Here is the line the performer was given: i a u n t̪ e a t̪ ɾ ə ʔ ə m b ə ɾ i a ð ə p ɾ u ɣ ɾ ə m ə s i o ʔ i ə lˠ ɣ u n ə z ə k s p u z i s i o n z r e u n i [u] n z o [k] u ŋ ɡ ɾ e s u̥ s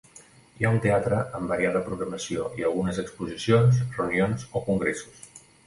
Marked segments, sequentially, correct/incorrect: incorrect: o, correct

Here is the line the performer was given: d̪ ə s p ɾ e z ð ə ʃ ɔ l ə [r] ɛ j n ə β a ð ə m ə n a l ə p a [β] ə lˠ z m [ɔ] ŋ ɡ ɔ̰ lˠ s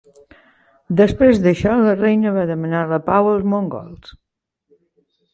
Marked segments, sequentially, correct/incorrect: correct, incorrect: w, incorrect: o

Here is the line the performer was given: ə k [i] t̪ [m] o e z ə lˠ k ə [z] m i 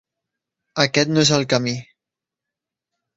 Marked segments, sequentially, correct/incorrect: incorrect: ɛ, incorrect: n, incorrect: none

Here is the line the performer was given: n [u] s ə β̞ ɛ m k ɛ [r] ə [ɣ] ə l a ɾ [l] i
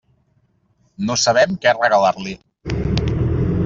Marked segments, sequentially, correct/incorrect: incorrect: o, correct, correct, correct

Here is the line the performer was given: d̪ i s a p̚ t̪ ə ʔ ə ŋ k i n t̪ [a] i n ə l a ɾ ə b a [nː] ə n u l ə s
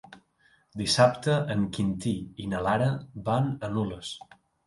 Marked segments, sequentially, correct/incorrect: incorrect: i, incorrect: n

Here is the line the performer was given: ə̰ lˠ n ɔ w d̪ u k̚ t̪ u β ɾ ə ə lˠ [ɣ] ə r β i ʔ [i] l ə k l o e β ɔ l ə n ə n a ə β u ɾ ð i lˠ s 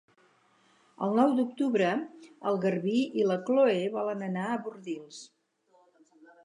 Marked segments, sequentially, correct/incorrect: correct, correct

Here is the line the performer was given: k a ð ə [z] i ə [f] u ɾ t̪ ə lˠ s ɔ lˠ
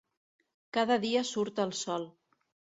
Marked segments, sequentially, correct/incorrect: incorrect: ð, incorrect: s

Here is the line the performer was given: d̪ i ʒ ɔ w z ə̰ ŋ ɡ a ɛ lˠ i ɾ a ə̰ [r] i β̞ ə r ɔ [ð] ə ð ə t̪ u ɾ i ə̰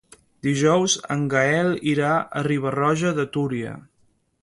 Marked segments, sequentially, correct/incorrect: correct, incorrect: ʒ

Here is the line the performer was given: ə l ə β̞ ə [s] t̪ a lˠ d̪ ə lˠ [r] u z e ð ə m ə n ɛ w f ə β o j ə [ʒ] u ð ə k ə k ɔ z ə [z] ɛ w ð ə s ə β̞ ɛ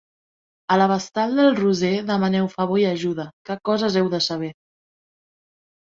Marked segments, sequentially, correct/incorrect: correct, correct, correct, correct

